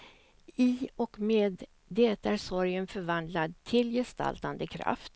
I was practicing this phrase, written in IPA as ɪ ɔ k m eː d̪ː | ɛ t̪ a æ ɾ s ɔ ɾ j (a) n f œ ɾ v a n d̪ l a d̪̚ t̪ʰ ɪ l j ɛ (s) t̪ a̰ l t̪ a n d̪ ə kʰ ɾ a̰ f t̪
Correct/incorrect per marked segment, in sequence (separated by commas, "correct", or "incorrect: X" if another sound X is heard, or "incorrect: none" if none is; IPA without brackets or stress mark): incorrect: ə, correct